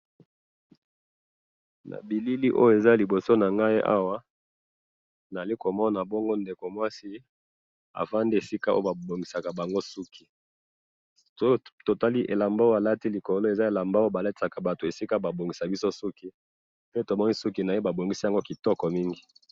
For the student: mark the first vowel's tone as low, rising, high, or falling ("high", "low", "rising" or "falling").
low